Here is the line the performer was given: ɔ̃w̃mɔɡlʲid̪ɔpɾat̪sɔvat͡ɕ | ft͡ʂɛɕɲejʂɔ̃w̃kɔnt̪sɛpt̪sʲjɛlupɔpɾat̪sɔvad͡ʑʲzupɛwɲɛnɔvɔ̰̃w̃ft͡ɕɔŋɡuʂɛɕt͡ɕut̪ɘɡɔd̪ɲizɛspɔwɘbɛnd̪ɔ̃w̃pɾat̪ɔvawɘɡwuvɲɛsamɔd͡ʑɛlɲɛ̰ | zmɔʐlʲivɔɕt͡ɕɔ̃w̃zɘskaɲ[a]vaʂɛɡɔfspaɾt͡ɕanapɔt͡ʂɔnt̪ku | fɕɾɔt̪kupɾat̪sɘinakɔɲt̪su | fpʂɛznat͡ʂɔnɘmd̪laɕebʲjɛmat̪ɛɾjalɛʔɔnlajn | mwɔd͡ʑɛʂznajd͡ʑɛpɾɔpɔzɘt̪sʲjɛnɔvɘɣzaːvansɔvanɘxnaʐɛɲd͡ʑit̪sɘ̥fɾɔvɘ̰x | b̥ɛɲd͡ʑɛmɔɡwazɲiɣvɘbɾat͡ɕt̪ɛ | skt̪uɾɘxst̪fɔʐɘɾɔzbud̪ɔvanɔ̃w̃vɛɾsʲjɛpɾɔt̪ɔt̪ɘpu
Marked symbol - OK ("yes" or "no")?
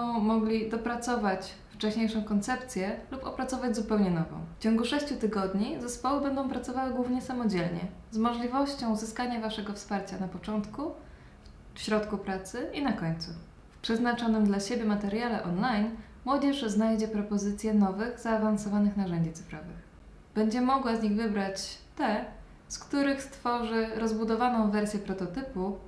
yes